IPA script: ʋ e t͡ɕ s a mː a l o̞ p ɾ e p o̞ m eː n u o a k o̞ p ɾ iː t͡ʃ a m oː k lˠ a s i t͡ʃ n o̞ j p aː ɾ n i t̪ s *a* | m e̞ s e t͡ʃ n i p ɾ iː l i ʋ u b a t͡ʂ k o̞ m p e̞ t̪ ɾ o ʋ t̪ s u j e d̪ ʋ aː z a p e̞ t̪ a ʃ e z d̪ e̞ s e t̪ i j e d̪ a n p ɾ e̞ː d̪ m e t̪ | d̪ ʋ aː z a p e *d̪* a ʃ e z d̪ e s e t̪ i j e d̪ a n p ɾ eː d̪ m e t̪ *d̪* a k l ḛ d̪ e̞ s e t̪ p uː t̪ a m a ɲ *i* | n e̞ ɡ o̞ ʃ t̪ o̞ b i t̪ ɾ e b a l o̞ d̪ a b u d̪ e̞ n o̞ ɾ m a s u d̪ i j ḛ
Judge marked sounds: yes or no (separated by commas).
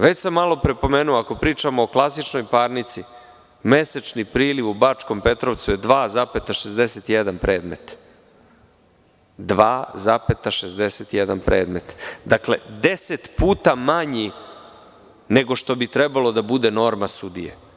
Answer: no, no, yes, yes